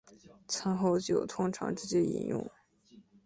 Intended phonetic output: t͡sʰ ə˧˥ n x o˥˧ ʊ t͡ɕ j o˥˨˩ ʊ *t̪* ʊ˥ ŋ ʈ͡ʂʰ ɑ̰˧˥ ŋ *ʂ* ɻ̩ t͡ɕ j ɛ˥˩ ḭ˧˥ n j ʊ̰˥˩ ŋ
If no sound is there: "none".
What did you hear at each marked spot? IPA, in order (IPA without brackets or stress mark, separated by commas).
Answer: t̪ʰ, ʈ͡ʂ